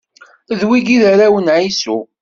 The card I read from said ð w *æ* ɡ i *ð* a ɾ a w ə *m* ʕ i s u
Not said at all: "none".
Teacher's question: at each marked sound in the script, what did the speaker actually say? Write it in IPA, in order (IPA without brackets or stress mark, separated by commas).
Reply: i, ð, n